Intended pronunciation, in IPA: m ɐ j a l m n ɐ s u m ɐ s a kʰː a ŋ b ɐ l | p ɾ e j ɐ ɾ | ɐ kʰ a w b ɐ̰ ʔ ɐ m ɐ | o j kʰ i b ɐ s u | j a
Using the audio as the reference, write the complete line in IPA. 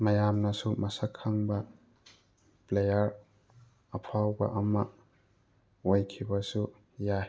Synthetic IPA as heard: m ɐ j a m n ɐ s u m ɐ s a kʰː a ŋ b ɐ | p l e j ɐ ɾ | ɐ pʰ a w b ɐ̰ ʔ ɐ m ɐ | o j kʰ i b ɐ s u | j a

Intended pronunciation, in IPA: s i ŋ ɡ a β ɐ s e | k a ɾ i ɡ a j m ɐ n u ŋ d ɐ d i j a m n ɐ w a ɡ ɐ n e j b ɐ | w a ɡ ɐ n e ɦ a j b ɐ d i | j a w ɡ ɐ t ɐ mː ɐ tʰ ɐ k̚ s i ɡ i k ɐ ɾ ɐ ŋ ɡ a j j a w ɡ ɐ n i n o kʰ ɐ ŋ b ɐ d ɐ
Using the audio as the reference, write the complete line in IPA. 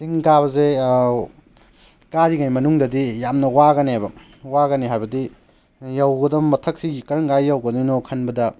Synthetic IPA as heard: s i ŋ ɡ a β ɐ z e | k a ɾ i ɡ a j m ɐ n u ŋ d ɐ d i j a m n ɐ w a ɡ ɐ n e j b ɐ | w a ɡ ɐ n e ɦ a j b ɐ d i | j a w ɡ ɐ d ɐ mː ɐ tʰ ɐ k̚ s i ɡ i k ɐ ɾ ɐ ŋ ɡ a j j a w ɡ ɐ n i n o kʰ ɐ n b ɐ d ɐ

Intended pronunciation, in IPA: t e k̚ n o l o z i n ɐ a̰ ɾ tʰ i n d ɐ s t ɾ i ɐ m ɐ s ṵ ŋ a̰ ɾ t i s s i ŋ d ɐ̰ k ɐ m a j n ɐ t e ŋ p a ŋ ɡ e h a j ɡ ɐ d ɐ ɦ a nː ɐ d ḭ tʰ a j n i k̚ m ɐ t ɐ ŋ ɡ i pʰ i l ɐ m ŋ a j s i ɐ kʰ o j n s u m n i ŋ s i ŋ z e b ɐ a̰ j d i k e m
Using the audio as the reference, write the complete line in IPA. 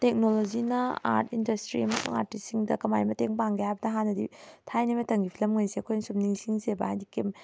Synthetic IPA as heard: t e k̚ n o l o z i n ɐ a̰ ɾ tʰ i n d ɐ s t ɾ i ɐ m ɐ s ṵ ŋ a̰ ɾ t i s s i ŋ d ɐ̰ k ɐ m a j m ɐ t e ŋ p a ŋ ɡ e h a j b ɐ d ɐ ɦ a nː ɐ d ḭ tʰ a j n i m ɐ t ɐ ŋ ɡ i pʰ i l ɐ m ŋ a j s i ɐ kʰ o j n s u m n i ŋ s i ŋ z e b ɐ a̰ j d i k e m

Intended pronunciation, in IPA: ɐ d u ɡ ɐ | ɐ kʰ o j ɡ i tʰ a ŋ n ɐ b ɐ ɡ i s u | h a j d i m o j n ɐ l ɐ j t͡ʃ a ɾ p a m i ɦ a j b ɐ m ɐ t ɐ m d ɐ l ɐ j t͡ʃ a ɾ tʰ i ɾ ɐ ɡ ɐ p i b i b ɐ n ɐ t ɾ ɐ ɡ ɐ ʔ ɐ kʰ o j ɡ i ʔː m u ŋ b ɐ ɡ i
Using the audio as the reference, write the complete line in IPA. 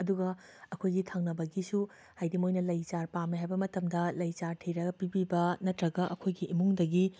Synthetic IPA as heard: ɐ d u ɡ ɐ | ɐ kʰ o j ɡ i tʰ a ŋ n ɐ b ɐ ɡ i s u | h a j d i m o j n ɐ l ɐ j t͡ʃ a ɾ p a m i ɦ a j b ɐ m ɐ t ɐ m d ɐ l ɐ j t͡ʃ a ɾ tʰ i ɾ ɐ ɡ ɐ p i b i b ɐ n ɐ t ɾ ɐ ɡ ɐ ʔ ɐ kʰ o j ɡ i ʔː m u ŋ d ɐ ɡ i

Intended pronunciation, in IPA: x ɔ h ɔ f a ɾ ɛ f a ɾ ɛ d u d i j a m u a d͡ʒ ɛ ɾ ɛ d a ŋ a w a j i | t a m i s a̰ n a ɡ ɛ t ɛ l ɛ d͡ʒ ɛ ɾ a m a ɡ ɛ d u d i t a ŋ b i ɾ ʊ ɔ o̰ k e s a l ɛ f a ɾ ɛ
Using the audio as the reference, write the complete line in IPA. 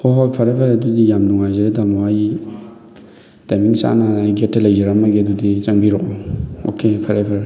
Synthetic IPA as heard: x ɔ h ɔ f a ɾ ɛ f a ɾ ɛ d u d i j a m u a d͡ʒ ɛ ɾ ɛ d a m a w a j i | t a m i s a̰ n a ɡ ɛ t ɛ l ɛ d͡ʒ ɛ ɾ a m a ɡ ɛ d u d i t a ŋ b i ɾ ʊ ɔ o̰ k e f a ɾ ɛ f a ɾ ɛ

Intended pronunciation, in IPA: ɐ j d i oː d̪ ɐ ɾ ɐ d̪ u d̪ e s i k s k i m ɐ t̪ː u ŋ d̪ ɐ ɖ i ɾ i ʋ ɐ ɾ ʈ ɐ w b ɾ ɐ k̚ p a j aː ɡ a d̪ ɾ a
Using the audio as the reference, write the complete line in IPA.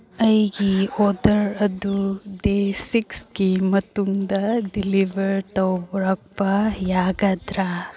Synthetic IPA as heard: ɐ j ɡ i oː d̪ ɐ ɾ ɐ d̪ u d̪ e s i k s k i m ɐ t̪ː u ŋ d̪ ɐ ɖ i l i ʋ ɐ ɾ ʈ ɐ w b ɾ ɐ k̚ p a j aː ɡ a d̪ ɾ a

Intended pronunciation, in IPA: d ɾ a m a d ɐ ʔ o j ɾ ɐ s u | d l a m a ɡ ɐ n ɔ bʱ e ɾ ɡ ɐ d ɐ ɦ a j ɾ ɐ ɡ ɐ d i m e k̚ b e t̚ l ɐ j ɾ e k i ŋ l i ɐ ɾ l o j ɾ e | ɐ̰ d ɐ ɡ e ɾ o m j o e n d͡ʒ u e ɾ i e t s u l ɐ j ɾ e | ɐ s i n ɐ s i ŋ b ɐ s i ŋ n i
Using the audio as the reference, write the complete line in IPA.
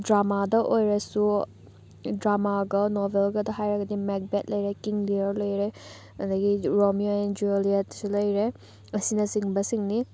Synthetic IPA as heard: d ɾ a m a d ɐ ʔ o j ɾ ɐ s u | d ɾ a m a ɡ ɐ n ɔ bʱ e l ɡ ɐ d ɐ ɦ a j ɾ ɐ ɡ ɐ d i m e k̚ b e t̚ l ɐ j ɾ e k i ŋ l i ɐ ɾ l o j ɾ e | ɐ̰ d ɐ ɡ i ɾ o m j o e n d͡ʒ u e l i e t s u l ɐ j ɾ e | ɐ s i n ɐ s i ŋ b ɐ s i ŋ n i

